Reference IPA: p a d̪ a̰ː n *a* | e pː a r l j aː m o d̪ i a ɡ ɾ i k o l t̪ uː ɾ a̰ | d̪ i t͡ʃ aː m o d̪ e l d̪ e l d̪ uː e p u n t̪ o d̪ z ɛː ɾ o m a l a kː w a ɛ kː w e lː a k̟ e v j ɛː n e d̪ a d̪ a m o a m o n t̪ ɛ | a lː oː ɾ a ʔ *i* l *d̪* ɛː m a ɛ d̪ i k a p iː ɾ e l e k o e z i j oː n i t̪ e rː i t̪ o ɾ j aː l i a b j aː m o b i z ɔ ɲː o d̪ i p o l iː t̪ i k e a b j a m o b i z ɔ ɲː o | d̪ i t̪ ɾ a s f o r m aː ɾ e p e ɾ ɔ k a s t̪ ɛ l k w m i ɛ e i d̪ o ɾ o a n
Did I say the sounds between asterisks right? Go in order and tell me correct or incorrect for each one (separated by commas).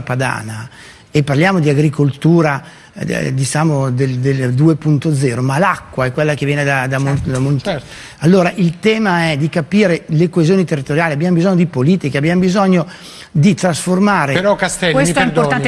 correct, correct, incorrect